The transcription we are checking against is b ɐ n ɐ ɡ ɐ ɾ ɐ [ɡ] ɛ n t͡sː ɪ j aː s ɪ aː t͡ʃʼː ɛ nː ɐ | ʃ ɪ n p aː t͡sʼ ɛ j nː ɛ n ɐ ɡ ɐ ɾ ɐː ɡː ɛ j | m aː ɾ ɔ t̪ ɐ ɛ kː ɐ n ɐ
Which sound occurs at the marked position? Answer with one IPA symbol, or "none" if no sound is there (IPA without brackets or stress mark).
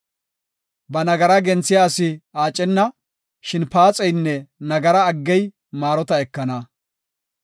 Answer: ɡ